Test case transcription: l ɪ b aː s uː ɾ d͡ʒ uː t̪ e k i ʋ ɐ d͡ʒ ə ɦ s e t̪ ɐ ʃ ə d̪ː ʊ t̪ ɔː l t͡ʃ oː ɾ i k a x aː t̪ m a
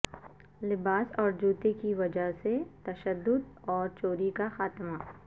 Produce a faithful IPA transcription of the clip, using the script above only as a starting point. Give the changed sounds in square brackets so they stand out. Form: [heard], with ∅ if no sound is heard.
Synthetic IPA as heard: l ɪ b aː s [ɔː] ɾ d͡ʒ uː t̪ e k i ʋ ɐ d͡ʒ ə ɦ s e t̪ ɐ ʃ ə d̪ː ʊ [d̪] ɔː [ɾ] t͡ʃ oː ɾ i k a x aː t̪ m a